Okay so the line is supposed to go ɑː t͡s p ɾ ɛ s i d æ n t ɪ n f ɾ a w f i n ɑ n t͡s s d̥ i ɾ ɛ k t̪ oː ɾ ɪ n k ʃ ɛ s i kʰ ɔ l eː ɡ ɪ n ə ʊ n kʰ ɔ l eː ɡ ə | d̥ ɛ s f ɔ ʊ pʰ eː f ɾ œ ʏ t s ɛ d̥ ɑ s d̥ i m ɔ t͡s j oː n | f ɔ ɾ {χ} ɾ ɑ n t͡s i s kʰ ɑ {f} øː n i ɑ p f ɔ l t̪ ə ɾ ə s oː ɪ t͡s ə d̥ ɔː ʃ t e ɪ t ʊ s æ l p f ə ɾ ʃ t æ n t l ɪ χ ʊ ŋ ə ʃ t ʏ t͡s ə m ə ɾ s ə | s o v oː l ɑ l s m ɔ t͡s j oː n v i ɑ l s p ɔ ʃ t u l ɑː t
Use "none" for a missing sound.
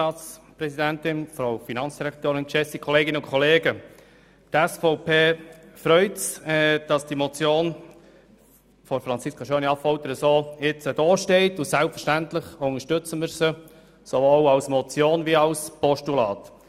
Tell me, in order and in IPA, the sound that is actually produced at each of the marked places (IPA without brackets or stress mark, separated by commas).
f, ʃ